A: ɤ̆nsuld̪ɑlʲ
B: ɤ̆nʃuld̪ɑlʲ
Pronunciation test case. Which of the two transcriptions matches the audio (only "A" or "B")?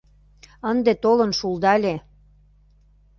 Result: B